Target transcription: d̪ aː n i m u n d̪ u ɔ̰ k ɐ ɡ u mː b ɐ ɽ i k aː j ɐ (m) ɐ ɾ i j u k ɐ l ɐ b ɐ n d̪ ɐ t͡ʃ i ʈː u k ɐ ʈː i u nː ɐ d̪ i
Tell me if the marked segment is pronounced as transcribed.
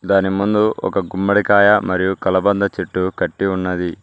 yes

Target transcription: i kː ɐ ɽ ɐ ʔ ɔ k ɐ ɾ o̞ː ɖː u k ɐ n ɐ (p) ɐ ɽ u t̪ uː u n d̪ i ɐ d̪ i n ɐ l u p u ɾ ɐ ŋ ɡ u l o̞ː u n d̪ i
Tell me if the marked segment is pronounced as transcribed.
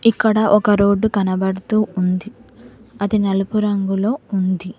no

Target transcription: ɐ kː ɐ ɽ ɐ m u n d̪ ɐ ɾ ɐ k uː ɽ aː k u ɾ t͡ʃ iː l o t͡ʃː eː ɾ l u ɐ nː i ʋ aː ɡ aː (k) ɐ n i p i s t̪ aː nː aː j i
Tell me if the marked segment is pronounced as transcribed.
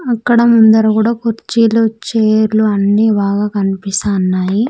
yes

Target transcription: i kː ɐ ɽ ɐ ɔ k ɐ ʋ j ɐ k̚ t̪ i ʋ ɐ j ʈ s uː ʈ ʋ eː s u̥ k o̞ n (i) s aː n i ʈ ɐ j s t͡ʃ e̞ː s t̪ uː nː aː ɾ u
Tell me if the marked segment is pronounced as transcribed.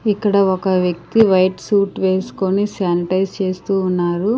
yes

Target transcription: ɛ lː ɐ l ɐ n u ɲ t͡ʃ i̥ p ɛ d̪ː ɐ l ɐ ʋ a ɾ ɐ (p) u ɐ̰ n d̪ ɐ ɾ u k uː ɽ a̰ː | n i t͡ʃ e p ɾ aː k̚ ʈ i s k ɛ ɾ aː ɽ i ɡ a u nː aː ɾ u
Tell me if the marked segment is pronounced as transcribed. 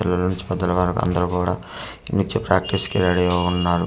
no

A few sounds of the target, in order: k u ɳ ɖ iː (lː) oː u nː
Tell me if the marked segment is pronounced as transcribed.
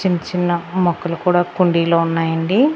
no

